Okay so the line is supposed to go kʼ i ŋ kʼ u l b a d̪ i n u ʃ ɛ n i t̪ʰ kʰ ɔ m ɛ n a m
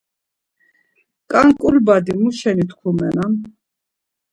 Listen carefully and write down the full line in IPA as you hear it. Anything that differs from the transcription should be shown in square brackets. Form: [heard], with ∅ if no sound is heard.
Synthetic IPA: kʼ [a] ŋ kʼ u l b a d̪ i [m] u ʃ ɛ n i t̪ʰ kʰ [u] m ɛ n a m